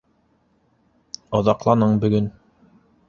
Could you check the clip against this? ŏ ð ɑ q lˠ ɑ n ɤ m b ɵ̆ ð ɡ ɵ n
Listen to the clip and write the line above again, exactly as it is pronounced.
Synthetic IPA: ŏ ð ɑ q lˠ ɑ n ɤ ɴ b ɵ̆ ɡ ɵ n